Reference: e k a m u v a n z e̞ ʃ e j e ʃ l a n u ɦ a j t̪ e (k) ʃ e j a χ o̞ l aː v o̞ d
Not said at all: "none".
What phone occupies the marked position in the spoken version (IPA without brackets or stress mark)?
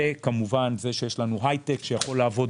k